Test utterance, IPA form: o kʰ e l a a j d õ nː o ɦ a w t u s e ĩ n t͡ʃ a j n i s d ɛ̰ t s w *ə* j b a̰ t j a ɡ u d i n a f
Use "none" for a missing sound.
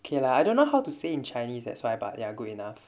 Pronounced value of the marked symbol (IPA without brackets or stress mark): a